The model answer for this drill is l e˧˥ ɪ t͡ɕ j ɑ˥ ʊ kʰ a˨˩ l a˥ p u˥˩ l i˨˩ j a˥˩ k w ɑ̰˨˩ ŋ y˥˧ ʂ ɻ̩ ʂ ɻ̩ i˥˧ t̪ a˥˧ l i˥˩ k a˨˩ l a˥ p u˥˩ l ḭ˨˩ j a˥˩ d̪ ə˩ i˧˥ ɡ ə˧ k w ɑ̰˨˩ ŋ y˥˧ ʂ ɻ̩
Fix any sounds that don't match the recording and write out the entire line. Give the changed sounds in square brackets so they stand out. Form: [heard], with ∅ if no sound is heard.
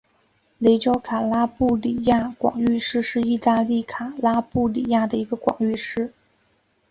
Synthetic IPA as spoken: l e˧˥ ɪ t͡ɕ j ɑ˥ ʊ kʰ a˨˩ l a˥ p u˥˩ l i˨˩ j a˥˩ k w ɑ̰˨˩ ŋ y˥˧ ʂ ɻ̩ ʂ ɻ̩ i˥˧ t̪ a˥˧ l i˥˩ [kʰ] a˨˩ l a˥ p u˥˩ l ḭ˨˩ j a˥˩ d̪ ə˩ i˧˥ ɡ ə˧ k w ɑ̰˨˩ ŋ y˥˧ ʂ ɻ̩